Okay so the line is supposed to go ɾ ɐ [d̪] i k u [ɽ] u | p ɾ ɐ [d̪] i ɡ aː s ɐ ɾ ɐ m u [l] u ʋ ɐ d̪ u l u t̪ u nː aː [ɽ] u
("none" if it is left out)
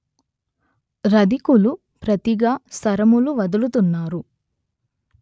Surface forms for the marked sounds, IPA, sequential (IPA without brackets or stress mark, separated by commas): d̪, l, t̪, l, ɾ